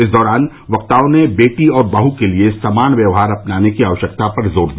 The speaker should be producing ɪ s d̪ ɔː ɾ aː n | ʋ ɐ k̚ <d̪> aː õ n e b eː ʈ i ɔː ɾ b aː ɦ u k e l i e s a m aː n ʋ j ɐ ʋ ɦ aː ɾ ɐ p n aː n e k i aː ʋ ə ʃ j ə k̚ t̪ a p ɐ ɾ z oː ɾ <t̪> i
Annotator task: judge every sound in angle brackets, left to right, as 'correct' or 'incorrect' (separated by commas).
incorrect, incorrect